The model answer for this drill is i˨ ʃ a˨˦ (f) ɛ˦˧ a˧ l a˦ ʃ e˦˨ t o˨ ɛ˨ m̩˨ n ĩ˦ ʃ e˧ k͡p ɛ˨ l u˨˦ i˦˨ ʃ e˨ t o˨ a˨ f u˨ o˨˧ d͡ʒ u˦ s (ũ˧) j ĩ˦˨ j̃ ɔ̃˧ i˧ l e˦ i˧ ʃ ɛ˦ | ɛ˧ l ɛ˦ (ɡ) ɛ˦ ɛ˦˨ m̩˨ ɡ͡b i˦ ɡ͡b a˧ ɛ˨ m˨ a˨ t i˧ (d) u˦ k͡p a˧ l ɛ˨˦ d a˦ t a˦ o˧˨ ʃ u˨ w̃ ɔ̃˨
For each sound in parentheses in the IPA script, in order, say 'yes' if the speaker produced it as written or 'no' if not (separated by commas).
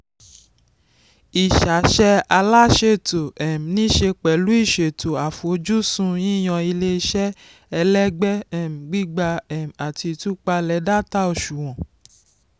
no, yes, no, no